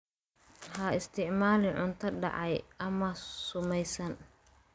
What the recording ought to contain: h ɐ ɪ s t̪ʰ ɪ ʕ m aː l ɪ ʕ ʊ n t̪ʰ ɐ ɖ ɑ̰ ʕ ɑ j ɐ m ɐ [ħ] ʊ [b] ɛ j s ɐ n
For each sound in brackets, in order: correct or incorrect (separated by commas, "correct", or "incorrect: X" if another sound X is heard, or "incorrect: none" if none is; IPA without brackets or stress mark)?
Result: incorrect: s, incorrect: m